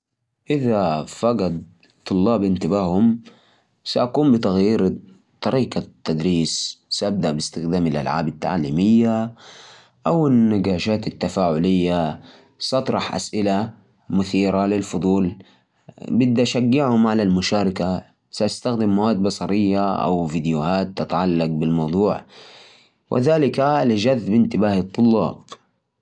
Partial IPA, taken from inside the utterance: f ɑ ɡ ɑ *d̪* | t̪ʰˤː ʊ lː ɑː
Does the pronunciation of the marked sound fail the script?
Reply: no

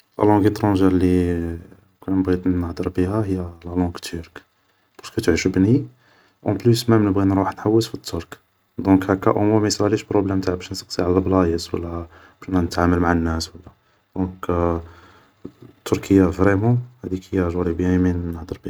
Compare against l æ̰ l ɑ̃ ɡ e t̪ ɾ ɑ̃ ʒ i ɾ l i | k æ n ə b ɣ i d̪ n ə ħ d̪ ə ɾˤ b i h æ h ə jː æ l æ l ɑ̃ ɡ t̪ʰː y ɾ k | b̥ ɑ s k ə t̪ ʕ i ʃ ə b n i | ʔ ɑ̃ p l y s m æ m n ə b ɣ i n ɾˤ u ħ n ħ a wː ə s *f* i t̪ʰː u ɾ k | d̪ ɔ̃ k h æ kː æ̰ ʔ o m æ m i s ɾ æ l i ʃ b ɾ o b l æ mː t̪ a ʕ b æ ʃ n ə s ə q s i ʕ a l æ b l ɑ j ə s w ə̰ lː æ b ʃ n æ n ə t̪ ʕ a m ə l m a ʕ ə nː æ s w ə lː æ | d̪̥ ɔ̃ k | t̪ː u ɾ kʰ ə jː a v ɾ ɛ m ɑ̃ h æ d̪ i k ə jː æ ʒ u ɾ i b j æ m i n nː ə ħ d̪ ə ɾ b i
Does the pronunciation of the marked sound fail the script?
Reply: no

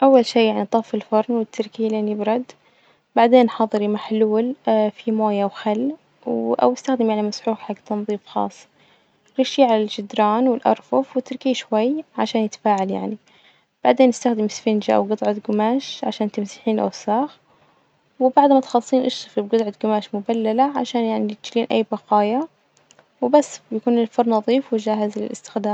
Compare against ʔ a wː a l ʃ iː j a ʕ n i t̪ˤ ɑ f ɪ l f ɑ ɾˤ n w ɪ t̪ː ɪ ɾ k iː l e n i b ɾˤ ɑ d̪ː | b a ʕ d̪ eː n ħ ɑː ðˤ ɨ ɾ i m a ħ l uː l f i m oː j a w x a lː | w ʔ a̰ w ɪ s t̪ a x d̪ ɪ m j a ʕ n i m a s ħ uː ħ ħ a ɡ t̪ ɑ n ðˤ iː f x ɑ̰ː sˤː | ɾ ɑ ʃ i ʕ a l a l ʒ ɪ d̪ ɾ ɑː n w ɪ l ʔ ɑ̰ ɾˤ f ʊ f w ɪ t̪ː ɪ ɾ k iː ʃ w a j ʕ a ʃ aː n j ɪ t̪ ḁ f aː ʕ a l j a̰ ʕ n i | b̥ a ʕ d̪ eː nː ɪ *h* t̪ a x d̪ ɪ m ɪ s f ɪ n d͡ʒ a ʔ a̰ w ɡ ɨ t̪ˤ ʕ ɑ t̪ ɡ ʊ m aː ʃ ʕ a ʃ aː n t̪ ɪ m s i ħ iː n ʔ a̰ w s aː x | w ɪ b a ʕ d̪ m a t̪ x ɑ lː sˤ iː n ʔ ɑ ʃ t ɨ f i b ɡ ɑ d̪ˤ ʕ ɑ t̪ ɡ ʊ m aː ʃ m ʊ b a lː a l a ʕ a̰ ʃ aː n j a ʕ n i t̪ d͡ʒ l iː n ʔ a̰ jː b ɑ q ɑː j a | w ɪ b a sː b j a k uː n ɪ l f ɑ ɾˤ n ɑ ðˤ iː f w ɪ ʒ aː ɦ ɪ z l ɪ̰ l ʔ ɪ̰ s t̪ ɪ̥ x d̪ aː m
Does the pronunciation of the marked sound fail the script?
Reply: yes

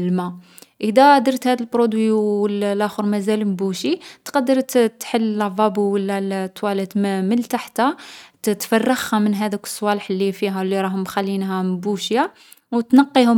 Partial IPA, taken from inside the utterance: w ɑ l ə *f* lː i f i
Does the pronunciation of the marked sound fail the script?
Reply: yes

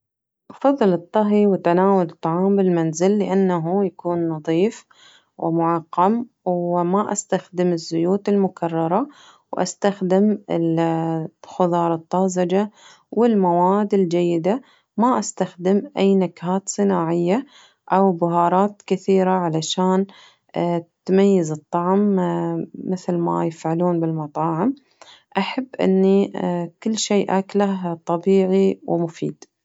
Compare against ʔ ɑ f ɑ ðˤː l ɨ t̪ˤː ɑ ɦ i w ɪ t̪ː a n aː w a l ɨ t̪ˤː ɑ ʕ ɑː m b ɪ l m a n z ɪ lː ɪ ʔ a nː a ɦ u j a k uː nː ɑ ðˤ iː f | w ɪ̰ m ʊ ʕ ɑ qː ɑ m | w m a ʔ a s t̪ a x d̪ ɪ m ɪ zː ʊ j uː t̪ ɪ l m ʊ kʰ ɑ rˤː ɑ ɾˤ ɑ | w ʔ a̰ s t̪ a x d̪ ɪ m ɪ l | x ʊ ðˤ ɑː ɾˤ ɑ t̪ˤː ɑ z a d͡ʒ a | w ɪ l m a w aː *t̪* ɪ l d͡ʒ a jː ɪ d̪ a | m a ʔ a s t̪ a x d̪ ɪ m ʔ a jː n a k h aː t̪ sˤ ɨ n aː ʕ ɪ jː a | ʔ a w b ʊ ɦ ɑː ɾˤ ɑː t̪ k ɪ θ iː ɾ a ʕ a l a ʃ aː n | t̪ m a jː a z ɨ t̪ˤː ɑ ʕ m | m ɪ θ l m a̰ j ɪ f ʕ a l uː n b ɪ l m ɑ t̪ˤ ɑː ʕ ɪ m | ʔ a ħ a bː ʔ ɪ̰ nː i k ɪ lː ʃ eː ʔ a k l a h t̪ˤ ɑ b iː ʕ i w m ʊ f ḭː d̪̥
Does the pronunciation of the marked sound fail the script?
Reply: yes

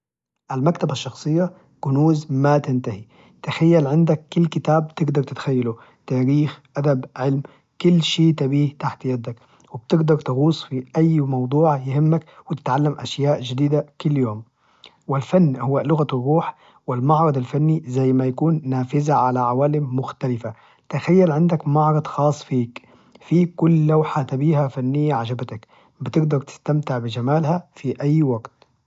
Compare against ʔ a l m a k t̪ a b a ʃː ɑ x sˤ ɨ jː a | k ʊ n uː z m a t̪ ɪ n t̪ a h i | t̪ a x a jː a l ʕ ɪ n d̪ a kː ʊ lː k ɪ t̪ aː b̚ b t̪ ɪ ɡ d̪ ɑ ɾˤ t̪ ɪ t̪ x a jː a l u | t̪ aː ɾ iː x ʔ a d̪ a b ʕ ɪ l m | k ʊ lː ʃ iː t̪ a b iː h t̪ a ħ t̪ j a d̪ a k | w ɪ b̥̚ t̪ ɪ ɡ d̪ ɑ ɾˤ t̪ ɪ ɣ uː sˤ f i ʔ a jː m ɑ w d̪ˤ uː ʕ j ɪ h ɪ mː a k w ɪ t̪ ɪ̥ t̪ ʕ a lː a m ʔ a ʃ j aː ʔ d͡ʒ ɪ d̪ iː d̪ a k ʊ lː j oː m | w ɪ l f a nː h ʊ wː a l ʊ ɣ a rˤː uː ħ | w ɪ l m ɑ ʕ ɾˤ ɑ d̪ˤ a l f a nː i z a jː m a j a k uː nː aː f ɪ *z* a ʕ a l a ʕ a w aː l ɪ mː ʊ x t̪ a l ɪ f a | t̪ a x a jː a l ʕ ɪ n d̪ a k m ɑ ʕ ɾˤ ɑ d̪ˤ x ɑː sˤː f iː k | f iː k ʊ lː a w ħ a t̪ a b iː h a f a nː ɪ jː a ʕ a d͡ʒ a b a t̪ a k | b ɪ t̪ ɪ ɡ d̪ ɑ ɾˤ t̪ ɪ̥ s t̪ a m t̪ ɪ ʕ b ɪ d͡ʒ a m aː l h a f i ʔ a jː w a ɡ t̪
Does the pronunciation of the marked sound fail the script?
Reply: no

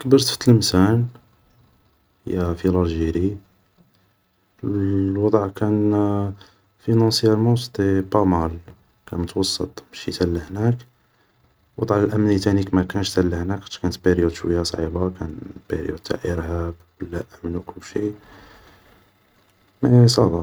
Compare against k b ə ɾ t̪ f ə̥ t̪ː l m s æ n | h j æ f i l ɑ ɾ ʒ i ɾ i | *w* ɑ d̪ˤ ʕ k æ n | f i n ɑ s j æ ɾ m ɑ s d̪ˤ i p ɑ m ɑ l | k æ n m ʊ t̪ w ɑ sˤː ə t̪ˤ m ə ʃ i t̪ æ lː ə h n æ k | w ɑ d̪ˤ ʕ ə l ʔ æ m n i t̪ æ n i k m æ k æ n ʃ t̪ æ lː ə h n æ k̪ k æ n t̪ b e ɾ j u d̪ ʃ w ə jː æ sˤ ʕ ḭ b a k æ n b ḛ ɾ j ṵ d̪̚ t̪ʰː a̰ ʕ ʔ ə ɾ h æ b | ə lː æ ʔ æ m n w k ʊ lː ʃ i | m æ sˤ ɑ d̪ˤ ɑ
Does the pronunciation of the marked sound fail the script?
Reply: no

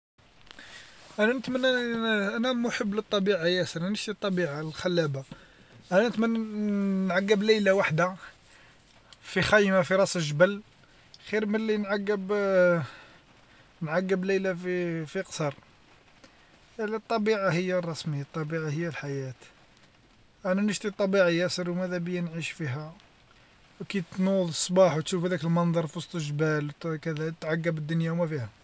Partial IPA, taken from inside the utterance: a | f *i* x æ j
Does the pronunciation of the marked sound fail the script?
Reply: no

